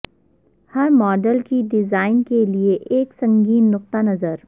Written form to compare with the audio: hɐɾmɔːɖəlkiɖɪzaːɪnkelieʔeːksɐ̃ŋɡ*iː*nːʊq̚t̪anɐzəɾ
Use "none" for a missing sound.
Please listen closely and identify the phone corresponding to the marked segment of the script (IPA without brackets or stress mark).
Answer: iː